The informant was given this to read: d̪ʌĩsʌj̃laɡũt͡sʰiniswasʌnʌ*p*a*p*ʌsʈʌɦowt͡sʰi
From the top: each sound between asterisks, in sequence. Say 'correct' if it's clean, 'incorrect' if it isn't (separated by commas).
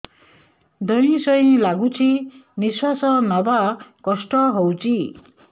incorrect, incorrect